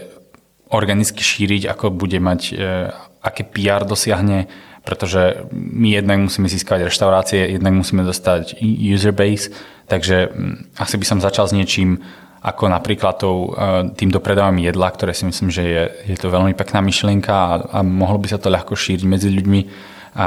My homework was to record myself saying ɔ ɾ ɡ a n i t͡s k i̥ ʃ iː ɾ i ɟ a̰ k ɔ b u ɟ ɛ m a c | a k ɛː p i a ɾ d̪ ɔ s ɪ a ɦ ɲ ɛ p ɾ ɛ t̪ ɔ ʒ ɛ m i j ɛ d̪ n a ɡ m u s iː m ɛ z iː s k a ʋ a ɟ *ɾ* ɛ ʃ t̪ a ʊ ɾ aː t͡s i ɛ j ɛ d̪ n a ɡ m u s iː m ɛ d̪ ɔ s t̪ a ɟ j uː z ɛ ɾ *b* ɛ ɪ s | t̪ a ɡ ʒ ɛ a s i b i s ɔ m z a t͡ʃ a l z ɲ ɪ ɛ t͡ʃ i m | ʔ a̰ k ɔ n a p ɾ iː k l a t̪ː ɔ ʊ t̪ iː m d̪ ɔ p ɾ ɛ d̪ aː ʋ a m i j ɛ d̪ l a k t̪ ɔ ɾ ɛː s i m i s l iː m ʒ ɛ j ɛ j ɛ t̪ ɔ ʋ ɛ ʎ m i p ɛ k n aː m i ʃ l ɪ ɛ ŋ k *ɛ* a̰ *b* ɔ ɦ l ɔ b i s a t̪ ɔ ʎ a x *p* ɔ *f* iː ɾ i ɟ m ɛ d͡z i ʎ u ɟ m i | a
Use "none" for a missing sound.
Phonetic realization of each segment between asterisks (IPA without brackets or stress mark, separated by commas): ɾ, b, a, m, k, ʃ